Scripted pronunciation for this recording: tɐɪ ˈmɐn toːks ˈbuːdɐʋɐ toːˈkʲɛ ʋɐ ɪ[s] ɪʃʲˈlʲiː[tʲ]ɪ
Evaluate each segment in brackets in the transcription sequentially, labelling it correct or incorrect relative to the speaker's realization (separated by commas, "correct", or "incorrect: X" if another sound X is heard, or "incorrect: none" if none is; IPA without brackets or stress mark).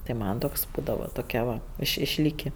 incorrect: ʃ, incorrect: kʲ